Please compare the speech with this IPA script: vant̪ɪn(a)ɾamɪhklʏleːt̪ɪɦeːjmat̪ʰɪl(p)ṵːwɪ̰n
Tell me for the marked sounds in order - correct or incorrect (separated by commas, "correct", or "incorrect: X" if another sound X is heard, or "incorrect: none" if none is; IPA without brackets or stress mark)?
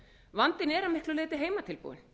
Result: incorrect: ɛ, correct